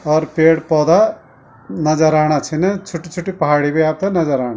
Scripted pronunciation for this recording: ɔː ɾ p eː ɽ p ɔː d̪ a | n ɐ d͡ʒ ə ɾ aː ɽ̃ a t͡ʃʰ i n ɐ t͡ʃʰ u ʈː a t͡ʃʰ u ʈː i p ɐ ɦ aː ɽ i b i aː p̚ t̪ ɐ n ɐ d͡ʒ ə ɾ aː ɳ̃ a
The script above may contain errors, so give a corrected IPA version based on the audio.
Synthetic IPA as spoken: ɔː ɾ p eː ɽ p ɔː d̪ a | n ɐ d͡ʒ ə ɾ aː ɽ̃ a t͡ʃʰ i n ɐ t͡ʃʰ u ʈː i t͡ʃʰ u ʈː i p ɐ ɦ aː ɽ i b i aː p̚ t̪ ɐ n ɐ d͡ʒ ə ɾ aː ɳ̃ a